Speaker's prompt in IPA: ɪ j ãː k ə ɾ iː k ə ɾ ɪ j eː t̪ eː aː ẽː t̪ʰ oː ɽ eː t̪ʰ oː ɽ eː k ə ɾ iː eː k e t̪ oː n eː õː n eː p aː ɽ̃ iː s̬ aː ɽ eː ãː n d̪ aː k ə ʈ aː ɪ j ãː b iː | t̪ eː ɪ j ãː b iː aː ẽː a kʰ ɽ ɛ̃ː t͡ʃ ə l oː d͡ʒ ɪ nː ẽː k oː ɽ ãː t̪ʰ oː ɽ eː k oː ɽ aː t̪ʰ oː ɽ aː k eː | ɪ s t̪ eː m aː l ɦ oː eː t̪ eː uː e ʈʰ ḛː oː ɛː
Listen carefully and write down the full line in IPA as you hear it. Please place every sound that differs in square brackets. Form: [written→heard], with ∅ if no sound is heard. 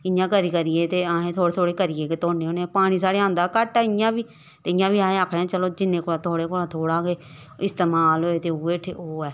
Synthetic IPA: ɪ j ãː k ə ɾ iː k ə ɾ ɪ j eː t̪ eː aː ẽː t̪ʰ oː ɽ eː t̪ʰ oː ɽ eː k ə ɾ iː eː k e t̪ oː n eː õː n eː p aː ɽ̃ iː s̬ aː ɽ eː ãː n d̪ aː k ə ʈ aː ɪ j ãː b iː | t̪ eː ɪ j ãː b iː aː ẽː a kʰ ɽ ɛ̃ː t͡ʃ ə l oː d͡ʒ ɪ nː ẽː k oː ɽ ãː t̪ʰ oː ɽ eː k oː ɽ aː t̪ʰ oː ɽ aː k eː | ɪ s t̪ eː m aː l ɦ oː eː t̪ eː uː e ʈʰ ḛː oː ɛː

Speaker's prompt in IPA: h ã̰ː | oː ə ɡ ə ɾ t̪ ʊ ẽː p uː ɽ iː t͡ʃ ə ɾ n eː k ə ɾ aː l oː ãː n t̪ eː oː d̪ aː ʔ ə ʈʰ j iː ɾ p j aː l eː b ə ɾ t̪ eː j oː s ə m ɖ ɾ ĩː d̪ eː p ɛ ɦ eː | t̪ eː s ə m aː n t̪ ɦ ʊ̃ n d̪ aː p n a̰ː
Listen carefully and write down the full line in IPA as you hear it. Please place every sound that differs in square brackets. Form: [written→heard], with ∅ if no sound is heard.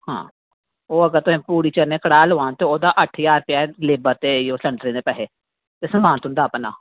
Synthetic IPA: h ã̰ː | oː ə ɡ ə ɾ t̪ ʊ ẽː p uː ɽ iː t͡ʃ ə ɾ n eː k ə [ɾ→ɽ] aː l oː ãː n t̪ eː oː d̪ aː ʔ ə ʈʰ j [iː→aː] ɾ p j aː l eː b ə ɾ t̪ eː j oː s ə [m→ɳ] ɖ ɾ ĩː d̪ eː p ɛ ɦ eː | t̪ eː s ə m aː n t̪ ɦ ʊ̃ n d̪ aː p n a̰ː

